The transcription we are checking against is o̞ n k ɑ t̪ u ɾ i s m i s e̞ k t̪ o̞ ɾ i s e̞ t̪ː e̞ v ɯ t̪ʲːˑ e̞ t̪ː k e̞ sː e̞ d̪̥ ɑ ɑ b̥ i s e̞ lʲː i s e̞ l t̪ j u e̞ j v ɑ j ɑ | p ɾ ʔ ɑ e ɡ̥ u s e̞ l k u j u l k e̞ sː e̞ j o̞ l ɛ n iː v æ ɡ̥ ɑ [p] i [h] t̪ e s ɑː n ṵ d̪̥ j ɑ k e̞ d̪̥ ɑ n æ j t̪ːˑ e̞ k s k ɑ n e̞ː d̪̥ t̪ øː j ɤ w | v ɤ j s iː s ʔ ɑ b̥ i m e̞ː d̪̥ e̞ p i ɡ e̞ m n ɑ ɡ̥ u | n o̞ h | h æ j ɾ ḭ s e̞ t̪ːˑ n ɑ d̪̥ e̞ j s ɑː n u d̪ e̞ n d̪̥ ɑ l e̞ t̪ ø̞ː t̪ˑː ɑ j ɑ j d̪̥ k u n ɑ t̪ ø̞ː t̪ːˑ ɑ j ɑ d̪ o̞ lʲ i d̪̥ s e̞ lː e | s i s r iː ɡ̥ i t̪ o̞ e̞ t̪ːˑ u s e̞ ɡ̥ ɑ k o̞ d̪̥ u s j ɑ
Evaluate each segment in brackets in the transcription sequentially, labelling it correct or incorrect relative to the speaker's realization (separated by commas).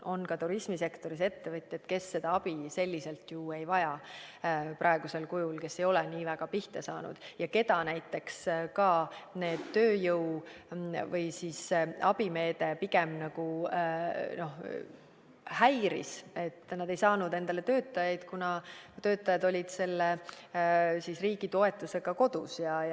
correct, correct